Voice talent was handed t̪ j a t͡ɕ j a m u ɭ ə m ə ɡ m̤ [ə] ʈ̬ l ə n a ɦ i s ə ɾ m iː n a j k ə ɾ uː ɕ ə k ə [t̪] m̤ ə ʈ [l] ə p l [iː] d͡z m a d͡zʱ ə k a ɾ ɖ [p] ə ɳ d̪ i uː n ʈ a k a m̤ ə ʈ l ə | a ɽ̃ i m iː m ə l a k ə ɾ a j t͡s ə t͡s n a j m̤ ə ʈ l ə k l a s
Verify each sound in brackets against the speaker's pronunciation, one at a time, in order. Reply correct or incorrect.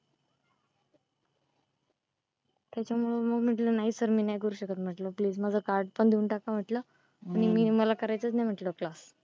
correct, correct, correct, correct, correct

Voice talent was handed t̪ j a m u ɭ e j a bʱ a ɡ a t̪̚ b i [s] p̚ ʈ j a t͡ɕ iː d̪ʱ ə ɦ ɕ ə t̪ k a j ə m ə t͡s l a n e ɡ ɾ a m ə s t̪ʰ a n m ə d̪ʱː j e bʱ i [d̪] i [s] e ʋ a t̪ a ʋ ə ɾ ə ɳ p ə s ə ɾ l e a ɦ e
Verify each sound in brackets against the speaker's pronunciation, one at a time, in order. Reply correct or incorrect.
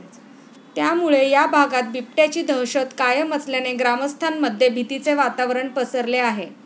incorrect, incorrect, incorrect

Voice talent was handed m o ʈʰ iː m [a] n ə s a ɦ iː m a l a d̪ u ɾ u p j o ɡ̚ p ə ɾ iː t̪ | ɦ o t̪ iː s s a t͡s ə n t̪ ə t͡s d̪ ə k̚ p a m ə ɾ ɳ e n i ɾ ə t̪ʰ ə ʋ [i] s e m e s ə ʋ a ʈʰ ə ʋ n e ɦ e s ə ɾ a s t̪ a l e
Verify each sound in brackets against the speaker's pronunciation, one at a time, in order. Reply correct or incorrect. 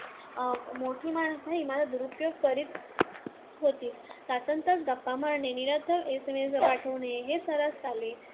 correct, incorrect

